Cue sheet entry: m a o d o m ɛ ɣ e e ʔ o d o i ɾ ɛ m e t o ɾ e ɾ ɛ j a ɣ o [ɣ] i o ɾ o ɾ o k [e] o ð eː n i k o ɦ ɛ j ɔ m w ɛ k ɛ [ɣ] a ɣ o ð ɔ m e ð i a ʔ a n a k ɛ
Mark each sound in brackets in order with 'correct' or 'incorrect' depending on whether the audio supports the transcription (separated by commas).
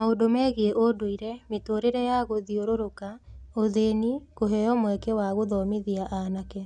incorrect, incorrect, incorrect